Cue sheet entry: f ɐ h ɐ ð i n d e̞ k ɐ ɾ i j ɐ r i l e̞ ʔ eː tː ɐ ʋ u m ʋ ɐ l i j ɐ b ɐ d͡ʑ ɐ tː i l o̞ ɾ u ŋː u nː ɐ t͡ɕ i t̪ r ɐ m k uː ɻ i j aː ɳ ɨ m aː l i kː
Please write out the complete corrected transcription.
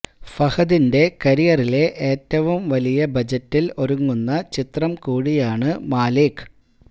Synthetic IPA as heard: f ɐ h ɐ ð i n d e̞ k ɐ ɾ i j ɐ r i l e̞ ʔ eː tː ɐ ʋ u m ʋ ɐ l i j ɐ b ɐ d͡ʑ ɐ tː i l o̞ ɾ u ŋː u nː ɐ t͡ɕ i t̪ r ɐ m k uː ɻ i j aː ɳ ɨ m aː l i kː

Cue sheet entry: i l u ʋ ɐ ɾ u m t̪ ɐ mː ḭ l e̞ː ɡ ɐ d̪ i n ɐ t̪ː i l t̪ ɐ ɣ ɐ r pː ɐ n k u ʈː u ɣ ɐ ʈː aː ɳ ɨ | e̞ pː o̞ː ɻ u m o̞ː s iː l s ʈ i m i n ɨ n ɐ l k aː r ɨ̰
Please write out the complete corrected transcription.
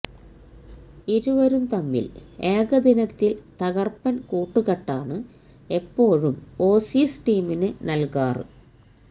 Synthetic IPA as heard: i ɾ u ʋ ɐ ɾ u m t̪ ɐ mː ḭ l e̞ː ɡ ɐ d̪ i n ɐ t̪ː i l t̪ ɐ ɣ ɐ r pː ɐ n k uː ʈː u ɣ ɐ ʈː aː ɳ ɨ | e̞ pː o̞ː ɻ u m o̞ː s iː s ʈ iː m i n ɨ n ɐ l k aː r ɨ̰

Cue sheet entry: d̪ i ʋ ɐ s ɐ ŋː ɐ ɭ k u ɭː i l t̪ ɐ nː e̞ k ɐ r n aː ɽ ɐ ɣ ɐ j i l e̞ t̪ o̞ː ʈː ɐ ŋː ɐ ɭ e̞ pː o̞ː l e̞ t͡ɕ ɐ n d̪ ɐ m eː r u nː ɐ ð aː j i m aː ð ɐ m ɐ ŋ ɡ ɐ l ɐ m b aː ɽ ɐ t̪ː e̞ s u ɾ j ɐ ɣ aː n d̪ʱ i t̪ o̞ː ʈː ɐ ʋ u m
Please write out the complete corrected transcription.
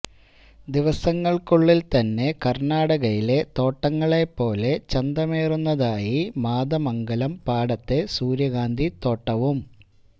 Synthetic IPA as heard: d̪ i ʋ ɐ s ɐ ŋː ɐ ɭ k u ɭː i l t̪ ɐ nː e̞ k ɐ r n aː ɽ ɐ ɣ ɐ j i l e̞ t̪ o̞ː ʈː ɐ ŋː ɐ ɭ e̞ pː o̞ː l e̞ t͡ɕ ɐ n d̪ ɐ m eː r u nː ɐ ð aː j i m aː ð ɐ m ɐ ŋ ɡ ɐ l ɐ m p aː ɽ ɐ t̪ː e̞ s uː ɾ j ɐ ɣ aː n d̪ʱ i t̪ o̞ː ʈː ɐ ʋ u m

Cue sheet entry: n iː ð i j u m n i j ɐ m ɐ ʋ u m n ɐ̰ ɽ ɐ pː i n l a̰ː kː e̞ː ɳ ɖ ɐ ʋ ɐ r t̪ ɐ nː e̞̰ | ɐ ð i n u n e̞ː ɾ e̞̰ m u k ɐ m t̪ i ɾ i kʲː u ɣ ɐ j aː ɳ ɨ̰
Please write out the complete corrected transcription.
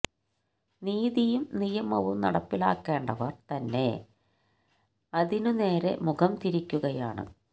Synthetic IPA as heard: n iː ð i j u m n i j ɐ m ɐ ʋ u m n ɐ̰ ɽ ɐ pː i l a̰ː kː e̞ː ɳ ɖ ɐ ʋ ɐ r t̪ ɐ nː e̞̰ | ɐ ð i n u n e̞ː ɾ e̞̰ m u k ɐ m t̪ i ɾ i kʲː u ɣ ɐ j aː ɳ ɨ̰

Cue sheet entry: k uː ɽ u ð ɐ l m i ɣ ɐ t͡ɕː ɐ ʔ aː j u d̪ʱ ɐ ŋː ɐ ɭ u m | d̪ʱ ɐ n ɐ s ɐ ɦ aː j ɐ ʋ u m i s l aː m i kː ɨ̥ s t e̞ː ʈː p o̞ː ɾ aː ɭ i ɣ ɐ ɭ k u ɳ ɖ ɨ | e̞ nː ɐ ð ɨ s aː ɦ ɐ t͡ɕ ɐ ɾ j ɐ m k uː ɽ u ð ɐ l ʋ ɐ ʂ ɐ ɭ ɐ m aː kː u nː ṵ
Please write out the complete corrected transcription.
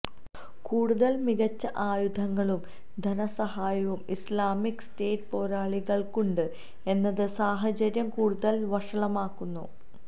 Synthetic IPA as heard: k uː ɽ u ð ɐ l m i ɣ ɐ t͡ɕː ɐ ʔ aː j u d̪ʱ ɐ ŋː ɐ ɭ u m | d̪ʱ ɐ n ɐ s ɐ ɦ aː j ɐ ʋ u m i s l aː m i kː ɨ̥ s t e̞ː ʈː p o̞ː ɾ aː ɭ i ɣ ɐ ɭ k u ɳ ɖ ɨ | e̞ nː ɐ ð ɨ s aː ɦ ɐ t͡ɕ ɐ ɾ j ɐ m k uː ɽ u ð ɐ l ʋ ɐ ʂ ɐ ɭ ɐ m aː kː u nː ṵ

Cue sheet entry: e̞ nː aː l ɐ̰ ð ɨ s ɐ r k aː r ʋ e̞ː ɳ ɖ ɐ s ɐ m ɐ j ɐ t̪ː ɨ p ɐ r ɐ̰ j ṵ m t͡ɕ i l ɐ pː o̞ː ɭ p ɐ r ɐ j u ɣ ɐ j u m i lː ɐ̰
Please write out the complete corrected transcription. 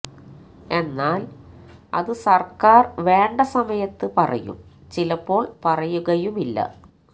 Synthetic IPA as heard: e̞ nː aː l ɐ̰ ð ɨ s ɐ r k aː r ʋ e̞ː ɳ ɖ ɐ s ɐ m ɐ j ɐ t̪ː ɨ p ɐ r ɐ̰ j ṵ m t͡ɕ i l ɐ pː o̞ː ɭ p ɐ r ɐ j u ɣ ɐ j u m i lː ɐ̰

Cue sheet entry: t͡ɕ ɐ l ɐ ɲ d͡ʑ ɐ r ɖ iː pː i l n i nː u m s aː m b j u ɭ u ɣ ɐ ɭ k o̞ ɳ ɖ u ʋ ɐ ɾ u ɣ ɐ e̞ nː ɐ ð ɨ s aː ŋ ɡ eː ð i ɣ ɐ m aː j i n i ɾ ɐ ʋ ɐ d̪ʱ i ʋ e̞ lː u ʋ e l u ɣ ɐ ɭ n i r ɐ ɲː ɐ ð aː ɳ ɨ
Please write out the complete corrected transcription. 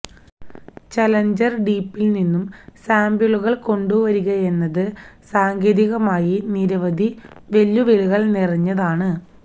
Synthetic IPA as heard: t͡ɕ ɐ l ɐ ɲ d͡ʑ ɐ r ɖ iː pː i l n i nː u m s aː m b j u ɭ u ɣ ɐ ɭ k o̞ ɳ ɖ u ʋ ɐ ɾ u ɣ ɐ e̞ nː ɐ ð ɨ s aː ŋ ɡ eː ð i ɣ ɐ m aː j i n i ɾ ɐ ʋ ɐ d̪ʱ i ʋ e̞ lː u ʋ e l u ɣ ɐ ɭ n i r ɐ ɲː ɐ ð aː ɳ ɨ

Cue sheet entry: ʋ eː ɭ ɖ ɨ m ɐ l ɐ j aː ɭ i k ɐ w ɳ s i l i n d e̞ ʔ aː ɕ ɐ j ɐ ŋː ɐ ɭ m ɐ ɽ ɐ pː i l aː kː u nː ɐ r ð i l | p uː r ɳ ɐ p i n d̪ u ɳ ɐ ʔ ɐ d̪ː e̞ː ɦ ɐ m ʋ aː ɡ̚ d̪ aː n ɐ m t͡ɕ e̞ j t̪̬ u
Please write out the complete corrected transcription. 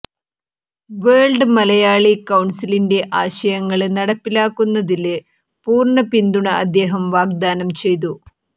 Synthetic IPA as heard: ʋ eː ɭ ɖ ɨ m ɐ l ɐ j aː ɭ i k ɐ w ɳ s i l i n d e̞ ʔ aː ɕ ɐ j ɐ ŋː ɐ ɭ n ɐ ɽ ɐ pː i l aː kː u nː ɐ ð i l | p uː r ɳ ɐ p i n d̪ u ɳ ɐ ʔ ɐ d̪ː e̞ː ɦ ɐ m ʋ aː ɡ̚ d̪ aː n ɐ m t͡ɕ e̞ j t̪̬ u

